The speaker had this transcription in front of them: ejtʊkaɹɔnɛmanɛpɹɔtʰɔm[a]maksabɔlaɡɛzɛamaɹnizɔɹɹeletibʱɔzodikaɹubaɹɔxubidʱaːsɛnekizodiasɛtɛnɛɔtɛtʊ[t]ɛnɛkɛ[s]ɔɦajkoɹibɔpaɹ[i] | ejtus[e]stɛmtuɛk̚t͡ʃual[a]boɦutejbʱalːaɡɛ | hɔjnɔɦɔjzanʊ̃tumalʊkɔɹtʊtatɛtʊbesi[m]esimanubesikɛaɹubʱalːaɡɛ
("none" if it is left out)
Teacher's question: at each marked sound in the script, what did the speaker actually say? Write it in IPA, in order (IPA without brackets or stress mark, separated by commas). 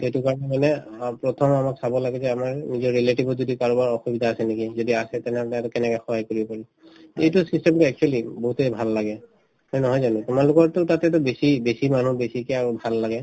a, k, x, i, i, i, b